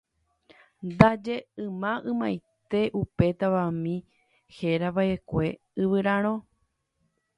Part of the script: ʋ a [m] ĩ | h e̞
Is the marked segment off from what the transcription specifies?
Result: no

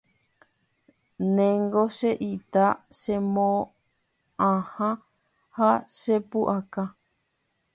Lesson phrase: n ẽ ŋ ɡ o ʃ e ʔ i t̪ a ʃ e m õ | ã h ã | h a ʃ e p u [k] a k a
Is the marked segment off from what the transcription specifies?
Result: yes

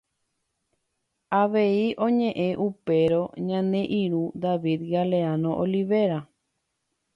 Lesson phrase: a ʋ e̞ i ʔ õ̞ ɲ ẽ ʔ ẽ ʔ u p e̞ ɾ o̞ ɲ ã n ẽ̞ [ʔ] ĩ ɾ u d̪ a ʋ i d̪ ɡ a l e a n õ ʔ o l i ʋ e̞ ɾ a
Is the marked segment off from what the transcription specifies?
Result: no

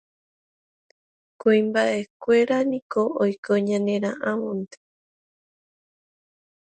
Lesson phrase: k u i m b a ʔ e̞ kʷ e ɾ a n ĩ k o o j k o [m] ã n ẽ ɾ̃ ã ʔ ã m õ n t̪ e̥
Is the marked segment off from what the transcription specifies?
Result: yes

